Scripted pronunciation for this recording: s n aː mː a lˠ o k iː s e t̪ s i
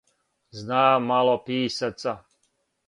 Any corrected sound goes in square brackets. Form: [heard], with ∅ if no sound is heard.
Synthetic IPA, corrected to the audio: [z] n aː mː a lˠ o [p] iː s [a] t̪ s [a]